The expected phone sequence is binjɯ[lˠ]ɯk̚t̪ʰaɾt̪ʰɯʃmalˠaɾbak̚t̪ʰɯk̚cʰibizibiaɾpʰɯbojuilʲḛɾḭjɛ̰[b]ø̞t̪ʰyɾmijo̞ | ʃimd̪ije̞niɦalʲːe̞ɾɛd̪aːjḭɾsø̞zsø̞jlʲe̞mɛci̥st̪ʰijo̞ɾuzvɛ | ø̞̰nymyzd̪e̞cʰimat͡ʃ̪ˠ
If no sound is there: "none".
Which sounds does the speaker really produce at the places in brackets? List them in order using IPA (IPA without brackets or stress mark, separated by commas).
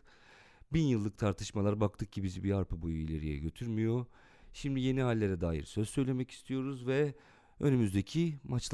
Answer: lˠː, ɟ